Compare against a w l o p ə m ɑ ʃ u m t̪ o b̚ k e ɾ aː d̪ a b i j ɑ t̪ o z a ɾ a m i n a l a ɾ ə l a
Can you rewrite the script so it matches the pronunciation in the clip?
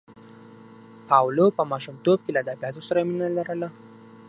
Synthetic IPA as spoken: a w l o p ə m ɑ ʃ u m t̪ o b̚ k e l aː d̪ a b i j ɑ t̪ o s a ɾ a m i n a l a ɾ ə l a